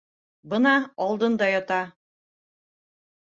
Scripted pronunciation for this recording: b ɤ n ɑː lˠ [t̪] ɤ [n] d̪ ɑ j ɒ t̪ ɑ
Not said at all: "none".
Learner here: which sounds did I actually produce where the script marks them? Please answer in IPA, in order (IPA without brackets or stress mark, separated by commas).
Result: d̪, n